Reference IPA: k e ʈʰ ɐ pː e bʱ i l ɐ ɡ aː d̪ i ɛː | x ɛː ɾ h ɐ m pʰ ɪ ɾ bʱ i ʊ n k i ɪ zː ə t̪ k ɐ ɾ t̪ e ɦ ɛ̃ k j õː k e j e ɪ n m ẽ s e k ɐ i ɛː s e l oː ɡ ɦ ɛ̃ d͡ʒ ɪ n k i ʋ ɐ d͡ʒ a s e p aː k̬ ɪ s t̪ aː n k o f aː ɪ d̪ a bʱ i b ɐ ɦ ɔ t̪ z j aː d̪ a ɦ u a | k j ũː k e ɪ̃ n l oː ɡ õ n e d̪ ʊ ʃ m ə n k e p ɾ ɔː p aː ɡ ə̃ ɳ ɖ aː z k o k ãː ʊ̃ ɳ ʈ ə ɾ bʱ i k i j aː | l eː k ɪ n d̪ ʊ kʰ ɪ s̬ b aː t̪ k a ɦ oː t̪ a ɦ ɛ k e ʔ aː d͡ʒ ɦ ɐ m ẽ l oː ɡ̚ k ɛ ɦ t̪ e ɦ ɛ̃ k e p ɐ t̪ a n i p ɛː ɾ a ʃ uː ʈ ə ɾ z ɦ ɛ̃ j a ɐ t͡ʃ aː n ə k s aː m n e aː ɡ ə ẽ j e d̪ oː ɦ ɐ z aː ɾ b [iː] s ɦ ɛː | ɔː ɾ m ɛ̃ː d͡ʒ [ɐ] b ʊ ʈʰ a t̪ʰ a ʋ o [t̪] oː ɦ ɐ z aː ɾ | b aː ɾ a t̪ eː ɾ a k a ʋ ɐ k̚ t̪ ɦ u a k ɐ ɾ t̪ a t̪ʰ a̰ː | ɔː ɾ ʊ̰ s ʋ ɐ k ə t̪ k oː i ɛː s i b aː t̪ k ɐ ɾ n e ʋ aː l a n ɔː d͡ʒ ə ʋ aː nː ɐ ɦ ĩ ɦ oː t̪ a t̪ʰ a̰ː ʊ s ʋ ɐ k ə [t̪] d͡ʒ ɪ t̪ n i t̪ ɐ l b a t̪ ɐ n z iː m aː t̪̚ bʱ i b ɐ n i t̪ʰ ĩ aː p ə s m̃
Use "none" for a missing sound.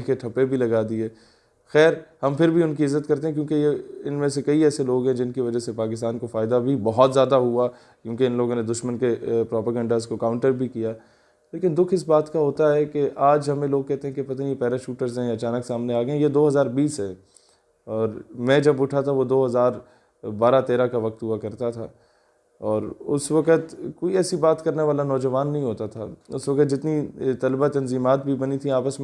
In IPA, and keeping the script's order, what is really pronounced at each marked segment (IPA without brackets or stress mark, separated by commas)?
iː, ɐ, d̪, t̪